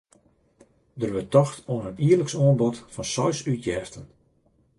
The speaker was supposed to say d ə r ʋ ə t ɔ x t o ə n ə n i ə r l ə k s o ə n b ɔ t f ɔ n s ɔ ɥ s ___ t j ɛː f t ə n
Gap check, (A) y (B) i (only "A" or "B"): A